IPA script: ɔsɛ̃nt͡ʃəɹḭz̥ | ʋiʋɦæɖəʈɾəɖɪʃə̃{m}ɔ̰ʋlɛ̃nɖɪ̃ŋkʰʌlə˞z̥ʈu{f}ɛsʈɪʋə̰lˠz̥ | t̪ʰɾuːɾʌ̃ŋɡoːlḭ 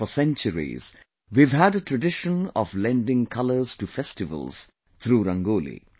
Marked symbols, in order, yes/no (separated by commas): no, yes